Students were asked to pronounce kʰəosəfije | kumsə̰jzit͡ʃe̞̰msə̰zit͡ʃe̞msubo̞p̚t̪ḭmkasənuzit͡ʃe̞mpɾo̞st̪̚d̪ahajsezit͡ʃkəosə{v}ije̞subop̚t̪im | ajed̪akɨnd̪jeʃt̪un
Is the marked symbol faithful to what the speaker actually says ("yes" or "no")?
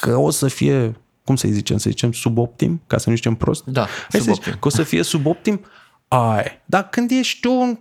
no